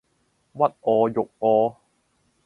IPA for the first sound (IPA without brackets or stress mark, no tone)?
w